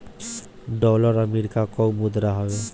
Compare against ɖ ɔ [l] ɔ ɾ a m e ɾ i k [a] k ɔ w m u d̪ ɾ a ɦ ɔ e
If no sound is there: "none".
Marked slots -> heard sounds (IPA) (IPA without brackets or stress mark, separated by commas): l, a